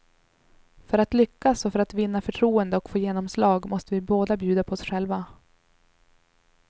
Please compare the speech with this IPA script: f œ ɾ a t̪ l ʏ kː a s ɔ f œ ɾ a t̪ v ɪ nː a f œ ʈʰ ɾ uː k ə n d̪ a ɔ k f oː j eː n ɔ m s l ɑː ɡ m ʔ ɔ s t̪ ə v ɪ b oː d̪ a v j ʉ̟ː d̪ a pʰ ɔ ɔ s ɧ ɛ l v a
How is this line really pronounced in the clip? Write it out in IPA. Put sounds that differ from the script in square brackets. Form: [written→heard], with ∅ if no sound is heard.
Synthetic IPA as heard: f œ ɾ a t̪ l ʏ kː a s ɔ f œ ɾ a t̪ v ɪ nː a f œ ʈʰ ɾ uː [k→∅] ə n d̪ [a→ə] ɔ k f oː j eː n ɔ m s l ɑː ɡ m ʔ ɔ s t̪ ə v ɪ b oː d̪ a [v→b] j ʉ̟ː d̪ a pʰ ɔ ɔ s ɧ ɛ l v a